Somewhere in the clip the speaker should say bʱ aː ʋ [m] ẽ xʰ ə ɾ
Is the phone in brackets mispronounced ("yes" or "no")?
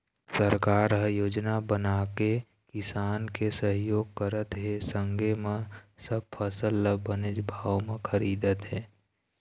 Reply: no